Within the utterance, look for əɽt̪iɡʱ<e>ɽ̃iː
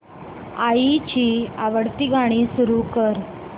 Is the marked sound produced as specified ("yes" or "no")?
no